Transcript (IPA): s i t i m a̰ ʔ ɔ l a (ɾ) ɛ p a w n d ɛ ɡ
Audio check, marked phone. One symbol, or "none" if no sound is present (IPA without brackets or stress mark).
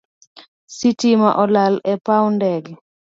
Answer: l